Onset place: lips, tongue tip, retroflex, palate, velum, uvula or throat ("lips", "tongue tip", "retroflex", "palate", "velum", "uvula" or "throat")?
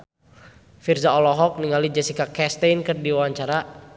lips